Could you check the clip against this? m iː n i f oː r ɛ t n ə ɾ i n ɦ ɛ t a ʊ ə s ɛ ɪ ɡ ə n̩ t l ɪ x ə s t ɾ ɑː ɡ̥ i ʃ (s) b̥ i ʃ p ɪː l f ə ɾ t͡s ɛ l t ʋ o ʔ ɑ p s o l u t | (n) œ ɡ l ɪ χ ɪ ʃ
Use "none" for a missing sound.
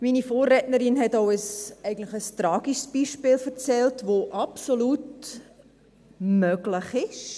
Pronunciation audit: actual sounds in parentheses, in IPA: s, m

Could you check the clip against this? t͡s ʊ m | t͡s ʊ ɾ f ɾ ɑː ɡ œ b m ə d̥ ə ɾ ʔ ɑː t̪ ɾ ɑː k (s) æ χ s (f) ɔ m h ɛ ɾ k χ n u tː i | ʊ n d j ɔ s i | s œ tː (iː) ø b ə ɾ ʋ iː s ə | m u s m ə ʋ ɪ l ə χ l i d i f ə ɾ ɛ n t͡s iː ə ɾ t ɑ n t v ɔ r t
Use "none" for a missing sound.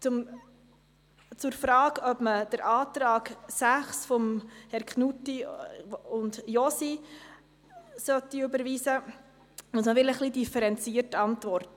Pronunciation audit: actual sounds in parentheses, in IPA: s, f, i

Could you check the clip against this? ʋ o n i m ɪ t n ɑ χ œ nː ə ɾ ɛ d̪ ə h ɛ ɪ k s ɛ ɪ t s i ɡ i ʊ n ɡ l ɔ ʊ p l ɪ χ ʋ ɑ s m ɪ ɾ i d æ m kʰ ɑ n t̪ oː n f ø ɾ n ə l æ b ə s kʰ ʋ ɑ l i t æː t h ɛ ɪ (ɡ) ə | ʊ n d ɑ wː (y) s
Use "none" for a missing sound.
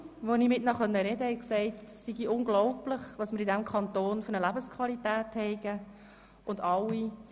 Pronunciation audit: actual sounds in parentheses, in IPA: ɡ, i

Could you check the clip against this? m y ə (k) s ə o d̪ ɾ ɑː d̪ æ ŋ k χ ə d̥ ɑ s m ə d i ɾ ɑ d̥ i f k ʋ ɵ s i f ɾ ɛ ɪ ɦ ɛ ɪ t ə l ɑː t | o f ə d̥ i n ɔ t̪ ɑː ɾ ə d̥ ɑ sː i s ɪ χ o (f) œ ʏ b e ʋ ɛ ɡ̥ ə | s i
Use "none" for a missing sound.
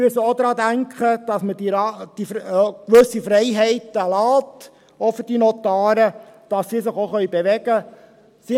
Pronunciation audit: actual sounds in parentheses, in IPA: none, χ

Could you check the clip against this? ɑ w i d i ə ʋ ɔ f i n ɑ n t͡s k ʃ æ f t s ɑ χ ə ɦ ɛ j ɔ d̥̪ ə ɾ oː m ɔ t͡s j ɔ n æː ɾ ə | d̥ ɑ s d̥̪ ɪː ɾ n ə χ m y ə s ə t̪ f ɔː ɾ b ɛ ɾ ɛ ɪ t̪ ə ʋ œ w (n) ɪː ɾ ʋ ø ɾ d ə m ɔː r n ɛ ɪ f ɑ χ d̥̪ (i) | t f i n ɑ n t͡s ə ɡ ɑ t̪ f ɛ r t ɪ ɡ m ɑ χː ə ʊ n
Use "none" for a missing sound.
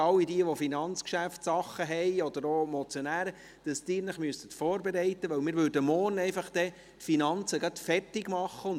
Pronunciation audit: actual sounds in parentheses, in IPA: m, ɛ

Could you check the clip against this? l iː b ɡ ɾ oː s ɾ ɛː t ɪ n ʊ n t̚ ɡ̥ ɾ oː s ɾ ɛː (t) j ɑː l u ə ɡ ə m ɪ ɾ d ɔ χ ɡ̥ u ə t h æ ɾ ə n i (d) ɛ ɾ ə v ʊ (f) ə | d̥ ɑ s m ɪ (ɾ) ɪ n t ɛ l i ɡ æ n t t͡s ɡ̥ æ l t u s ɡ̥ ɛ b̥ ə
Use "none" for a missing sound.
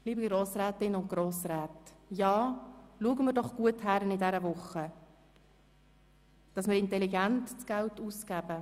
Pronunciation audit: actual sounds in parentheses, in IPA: t, d, χ, ɾ

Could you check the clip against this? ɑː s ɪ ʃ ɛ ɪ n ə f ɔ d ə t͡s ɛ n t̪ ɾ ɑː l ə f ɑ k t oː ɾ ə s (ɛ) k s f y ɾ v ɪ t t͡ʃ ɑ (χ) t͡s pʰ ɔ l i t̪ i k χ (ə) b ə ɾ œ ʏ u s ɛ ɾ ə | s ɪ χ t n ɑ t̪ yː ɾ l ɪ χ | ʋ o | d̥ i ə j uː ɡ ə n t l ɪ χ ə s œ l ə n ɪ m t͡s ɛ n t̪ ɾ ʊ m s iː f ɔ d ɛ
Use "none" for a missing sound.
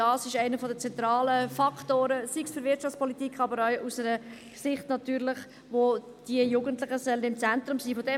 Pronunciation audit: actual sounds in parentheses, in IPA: i, f, ɑ

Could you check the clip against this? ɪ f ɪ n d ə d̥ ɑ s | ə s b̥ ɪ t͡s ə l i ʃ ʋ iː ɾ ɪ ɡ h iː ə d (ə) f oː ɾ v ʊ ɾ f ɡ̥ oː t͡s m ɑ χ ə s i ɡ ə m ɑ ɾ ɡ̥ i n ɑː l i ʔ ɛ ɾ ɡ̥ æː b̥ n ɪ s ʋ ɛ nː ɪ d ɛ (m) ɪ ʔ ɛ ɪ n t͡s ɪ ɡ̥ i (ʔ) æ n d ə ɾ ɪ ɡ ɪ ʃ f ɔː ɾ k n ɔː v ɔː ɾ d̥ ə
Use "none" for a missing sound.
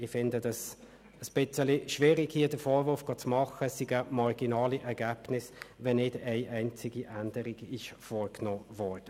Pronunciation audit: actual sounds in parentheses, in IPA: ə, none, ʔ

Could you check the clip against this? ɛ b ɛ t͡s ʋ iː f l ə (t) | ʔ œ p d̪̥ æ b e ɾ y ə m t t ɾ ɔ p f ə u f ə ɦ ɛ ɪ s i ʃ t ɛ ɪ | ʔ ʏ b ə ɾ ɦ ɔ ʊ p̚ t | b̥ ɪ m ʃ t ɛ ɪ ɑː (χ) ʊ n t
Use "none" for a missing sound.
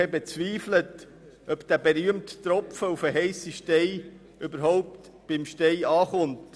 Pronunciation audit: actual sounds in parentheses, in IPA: t, χ

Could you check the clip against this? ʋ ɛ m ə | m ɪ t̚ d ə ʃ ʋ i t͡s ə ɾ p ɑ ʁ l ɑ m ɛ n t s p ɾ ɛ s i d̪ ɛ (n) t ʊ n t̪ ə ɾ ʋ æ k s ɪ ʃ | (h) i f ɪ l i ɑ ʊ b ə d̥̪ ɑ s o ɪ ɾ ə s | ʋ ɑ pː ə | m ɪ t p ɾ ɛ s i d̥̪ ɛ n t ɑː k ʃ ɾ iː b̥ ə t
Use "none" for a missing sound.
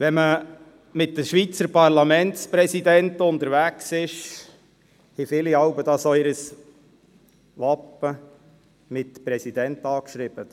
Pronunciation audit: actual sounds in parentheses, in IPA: n, h

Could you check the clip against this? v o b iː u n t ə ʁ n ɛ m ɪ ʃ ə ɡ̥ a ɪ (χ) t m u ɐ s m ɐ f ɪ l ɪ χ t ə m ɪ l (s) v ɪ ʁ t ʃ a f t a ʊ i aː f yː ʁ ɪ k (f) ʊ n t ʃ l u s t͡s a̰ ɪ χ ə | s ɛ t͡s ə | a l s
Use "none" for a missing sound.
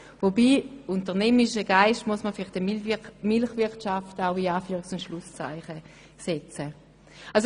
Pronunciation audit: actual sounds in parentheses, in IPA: ʃ, χ, s

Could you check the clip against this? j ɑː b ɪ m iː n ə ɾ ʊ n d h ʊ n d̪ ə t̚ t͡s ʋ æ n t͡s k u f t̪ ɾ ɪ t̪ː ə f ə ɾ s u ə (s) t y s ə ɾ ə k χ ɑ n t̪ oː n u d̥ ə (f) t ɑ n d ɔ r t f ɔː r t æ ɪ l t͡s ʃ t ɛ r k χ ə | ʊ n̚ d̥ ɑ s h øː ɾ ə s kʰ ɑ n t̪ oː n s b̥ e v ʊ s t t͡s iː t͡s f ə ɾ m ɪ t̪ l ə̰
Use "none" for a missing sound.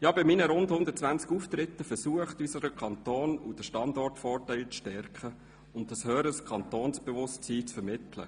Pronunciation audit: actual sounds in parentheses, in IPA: χ, ʃ

